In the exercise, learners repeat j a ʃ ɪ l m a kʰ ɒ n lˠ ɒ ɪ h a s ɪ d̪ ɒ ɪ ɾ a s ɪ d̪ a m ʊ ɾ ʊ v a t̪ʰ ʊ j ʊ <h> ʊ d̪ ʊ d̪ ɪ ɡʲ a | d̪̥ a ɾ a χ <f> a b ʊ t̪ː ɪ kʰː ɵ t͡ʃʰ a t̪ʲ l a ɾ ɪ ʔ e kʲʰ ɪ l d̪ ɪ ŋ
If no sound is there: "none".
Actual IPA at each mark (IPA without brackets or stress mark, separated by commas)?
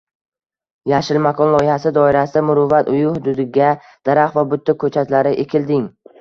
h, v